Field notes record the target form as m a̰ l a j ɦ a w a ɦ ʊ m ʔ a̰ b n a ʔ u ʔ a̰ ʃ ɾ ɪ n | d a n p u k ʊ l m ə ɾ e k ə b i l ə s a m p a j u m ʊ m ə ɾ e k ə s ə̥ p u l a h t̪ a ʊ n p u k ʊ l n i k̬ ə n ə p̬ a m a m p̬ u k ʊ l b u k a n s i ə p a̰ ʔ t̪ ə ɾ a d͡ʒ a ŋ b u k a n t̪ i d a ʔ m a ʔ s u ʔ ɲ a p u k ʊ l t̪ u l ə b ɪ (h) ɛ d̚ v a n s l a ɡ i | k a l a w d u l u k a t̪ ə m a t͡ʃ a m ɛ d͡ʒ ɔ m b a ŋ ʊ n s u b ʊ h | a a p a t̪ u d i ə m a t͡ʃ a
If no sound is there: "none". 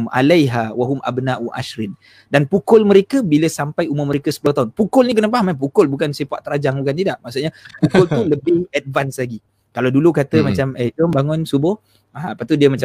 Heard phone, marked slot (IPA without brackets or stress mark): h